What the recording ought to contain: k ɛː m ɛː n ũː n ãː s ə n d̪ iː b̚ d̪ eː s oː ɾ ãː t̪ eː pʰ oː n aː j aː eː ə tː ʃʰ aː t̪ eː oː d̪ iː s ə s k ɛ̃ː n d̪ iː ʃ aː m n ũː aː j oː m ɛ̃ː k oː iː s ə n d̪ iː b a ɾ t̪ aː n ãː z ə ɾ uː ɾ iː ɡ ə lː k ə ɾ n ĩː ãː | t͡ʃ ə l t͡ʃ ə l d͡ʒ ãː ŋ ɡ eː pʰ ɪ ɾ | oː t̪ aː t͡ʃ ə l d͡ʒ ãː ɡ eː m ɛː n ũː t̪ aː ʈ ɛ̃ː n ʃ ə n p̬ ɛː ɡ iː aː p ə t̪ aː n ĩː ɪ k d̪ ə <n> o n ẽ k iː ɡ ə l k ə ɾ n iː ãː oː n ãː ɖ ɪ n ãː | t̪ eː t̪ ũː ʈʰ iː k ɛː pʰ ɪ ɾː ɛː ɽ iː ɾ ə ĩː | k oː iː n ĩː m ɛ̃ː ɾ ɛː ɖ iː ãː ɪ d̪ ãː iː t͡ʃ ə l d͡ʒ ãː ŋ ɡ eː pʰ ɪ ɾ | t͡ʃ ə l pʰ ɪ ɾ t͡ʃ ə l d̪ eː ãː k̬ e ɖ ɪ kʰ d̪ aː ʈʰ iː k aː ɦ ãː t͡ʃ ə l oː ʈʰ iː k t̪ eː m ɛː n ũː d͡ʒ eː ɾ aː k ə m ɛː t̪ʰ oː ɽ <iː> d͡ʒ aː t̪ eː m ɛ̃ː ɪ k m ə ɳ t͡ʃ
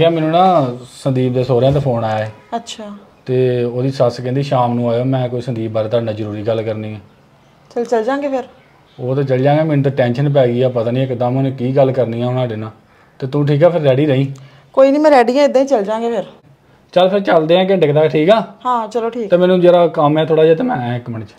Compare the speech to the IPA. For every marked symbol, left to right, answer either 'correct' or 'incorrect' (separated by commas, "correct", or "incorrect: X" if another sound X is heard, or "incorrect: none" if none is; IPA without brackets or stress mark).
incorrect: m, incorrect: aː